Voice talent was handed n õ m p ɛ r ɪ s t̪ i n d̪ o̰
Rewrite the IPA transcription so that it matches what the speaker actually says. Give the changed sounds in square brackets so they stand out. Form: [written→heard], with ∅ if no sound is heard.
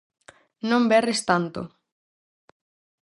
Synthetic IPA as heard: n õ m [p→b] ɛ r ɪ s t̪ [i→a] n [d̪→t̪] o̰